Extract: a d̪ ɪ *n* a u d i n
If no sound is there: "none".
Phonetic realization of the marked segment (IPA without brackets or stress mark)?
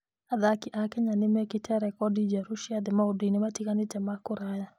m